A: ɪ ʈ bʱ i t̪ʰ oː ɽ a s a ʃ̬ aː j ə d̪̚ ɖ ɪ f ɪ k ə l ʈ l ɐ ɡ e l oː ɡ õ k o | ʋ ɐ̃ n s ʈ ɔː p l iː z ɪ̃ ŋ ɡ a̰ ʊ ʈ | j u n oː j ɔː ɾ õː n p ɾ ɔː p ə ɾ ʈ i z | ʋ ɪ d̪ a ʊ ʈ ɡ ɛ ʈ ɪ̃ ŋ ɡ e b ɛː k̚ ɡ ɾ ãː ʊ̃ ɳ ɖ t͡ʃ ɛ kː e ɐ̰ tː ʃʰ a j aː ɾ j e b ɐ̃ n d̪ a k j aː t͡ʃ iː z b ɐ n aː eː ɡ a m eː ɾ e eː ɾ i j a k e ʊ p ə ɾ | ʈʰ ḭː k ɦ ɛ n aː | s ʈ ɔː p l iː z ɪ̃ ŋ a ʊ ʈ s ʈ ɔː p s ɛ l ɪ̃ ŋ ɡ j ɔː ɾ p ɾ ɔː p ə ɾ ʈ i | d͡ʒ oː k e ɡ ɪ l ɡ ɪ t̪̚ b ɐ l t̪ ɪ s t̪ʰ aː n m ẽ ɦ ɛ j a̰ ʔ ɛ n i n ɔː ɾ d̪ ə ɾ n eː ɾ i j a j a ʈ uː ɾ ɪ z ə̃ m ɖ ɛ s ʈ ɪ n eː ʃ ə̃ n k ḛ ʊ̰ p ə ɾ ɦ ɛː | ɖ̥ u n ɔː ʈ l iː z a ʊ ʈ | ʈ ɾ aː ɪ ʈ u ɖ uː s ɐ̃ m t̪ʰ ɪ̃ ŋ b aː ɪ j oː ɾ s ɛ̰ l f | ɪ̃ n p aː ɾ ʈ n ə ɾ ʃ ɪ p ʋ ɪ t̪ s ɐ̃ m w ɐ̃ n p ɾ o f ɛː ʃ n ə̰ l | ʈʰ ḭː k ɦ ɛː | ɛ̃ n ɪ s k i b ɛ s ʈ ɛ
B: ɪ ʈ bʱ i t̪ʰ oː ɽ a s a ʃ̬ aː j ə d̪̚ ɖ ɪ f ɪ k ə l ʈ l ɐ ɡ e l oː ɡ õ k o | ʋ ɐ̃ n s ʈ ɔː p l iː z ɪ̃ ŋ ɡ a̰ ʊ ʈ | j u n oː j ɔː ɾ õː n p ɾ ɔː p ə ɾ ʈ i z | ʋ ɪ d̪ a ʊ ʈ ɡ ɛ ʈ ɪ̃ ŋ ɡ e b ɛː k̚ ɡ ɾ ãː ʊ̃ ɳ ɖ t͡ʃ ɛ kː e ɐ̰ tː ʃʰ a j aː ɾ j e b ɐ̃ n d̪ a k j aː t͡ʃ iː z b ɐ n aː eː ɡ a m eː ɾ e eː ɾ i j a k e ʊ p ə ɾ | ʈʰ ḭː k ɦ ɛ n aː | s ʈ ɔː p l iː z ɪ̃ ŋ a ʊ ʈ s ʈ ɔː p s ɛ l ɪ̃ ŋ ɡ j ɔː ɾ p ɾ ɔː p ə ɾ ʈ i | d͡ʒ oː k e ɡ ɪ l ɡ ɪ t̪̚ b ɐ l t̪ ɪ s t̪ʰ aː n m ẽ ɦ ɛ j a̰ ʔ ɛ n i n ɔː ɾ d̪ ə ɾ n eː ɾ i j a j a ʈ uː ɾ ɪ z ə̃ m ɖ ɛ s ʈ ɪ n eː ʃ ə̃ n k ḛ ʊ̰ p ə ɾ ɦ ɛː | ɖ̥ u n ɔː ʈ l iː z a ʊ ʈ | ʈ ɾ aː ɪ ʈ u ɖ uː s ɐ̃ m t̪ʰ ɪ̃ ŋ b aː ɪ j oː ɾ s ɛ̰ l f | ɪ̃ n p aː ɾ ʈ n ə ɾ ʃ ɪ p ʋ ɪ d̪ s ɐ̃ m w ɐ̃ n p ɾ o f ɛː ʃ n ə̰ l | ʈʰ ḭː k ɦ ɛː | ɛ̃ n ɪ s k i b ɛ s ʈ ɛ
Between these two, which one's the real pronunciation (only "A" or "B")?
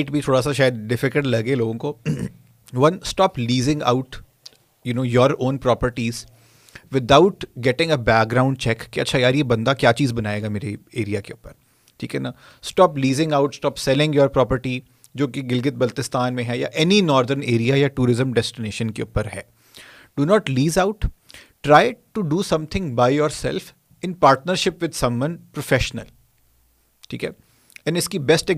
B